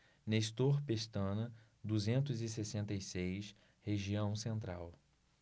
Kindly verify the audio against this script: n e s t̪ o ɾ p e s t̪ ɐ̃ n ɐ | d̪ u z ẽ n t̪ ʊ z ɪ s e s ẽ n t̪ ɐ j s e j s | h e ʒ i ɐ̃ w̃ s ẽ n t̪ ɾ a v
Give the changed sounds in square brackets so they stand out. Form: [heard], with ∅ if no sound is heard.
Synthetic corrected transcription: n e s t̪ o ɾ p e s t̪ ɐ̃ n ɐ | d̪ u z ẽ n t̪ ʊ z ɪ s e s ẽ n t̪ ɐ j s e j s | h e ʒ i ɐ̃ w̃ s ẽ n t̪ ɾ a [w]